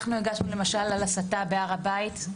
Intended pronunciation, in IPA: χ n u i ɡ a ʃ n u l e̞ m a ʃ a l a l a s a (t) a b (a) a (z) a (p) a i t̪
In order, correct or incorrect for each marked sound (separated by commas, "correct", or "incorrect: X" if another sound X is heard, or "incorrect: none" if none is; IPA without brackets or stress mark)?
correct, incorrect: e, incorrect: ʁ, incorrect: b